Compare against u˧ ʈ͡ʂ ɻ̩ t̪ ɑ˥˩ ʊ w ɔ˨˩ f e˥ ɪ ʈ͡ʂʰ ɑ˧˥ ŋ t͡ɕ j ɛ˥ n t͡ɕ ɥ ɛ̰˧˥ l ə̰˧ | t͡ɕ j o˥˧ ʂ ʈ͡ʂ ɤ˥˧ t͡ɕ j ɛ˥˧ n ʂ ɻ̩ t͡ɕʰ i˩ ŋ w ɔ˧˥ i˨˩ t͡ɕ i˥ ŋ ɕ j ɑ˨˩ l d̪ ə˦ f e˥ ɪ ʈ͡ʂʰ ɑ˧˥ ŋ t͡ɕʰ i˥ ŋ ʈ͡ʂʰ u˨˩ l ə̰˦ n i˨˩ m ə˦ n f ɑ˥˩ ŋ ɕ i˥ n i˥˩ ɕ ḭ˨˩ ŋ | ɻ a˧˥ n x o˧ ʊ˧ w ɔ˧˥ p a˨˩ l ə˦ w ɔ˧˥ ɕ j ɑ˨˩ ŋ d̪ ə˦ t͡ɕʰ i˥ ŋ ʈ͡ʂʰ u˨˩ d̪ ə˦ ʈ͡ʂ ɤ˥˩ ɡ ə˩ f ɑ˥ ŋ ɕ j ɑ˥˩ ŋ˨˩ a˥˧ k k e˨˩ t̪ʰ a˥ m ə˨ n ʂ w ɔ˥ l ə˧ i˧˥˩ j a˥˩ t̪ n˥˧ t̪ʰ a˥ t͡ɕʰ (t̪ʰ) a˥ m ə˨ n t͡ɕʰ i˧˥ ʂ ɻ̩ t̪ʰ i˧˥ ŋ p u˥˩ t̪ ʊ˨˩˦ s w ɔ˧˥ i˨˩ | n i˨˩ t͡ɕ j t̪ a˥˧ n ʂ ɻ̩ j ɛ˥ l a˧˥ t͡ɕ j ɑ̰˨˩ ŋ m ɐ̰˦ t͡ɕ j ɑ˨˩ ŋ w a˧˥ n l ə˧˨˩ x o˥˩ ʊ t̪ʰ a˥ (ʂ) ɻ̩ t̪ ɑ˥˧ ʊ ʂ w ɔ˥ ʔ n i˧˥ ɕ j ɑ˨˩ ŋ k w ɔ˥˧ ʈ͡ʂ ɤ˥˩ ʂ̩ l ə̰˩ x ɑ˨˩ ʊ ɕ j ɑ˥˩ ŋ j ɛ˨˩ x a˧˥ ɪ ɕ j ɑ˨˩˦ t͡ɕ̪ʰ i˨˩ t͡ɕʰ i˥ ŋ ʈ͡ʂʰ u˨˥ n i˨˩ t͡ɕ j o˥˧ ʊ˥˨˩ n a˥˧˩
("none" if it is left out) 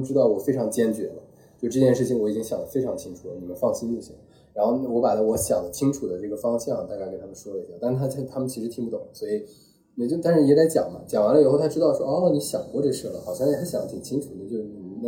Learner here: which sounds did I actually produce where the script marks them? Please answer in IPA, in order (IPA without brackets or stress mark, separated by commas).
t̪ʰ, ʈ͡ʂ